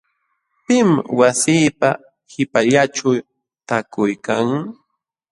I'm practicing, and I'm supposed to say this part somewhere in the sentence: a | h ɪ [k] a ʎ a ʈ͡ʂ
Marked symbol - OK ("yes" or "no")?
no